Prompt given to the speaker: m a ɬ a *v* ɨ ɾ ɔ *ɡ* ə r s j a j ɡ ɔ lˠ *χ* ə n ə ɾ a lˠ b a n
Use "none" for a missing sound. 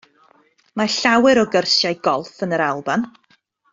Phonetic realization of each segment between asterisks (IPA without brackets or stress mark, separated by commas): w, ɡ, f